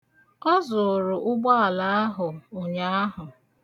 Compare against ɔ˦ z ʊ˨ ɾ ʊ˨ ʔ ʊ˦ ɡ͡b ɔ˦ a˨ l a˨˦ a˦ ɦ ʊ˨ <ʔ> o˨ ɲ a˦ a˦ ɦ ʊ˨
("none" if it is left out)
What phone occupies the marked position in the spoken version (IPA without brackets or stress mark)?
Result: none